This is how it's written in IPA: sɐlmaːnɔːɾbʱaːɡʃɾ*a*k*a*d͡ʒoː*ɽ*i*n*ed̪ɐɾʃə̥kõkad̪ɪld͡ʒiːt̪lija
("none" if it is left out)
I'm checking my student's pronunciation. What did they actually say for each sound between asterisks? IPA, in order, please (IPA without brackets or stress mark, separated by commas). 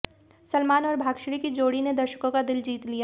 i, i, ɽ, n